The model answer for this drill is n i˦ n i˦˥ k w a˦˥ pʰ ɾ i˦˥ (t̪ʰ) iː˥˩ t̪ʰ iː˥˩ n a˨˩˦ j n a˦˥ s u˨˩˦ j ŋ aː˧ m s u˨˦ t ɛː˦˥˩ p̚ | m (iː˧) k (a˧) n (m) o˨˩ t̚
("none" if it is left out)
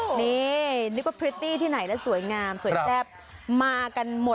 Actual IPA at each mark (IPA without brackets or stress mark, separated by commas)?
t̪, aː˧, a˧, m